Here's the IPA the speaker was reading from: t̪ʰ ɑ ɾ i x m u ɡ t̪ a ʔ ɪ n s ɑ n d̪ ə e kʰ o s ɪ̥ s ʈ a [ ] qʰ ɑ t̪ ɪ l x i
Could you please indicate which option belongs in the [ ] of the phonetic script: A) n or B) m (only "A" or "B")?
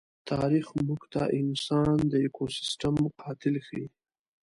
B